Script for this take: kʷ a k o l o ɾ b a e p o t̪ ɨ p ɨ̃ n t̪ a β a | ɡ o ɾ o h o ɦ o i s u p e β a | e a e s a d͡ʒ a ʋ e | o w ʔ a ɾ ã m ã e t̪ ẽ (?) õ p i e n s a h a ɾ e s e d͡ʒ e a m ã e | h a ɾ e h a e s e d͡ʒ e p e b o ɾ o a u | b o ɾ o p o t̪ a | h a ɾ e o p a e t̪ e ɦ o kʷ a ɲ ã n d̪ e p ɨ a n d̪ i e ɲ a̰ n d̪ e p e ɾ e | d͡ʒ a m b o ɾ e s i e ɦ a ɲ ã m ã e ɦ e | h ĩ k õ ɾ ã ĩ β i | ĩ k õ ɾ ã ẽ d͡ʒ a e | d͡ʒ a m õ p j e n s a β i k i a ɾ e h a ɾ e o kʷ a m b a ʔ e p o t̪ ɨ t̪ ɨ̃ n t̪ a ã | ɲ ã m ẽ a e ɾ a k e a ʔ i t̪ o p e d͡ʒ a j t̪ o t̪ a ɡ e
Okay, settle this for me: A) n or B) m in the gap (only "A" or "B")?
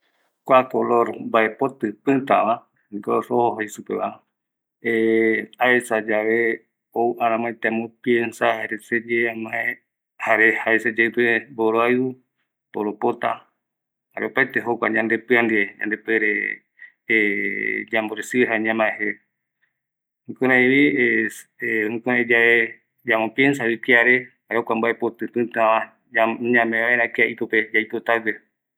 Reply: B